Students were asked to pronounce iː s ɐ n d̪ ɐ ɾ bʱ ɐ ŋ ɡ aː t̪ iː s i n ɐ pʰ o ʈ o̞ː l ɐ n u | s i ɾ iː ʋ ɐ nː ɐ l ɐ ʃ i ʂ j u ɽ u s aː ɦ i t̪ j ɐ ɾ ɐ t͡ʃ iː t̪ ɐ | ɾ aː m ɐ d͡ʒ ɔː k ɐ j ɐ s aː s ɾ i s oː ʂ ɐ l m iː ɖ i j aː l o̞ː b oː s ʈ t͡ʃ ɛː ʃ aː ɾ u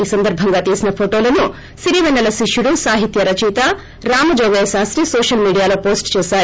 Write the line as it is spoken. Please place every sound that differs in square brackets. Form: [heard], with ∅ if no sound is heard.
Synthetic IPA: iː s ɐ n d̪ ɐ ɾ bʱ ɐ ŋ ɡ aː t̪ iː s i n ɐ pʰ o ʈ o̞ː l ɐ n u | s i ɾ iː ʋ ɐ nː ɐ l ɐ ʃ i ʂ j u ɽ u s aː ɦ i t̪ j ɐ ɾ ɐ t͡ʃ iː t̪ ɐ | ɾ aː m ɐ d͡ʒ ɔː [ɡ] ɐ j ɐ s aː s ɾ i s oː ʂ ɐ l m iː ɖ i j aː l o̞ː [p] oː s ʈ t͡ʃ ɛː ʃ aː ɾ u